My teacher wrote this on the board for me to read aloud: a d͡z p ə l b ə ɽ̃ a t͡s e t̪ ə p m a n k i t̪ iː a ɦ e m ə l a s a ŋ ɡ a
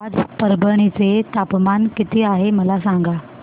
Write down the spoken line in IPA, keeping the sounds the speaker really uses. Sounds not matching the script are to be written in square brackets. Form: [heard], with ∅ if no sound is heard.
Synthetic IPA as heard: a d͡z p ə [ɾ] b ə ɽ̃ [i] t͡s e t̪ [a] p m a n k i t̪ iː a ɦ e m ə l a s a ŋ ɡ a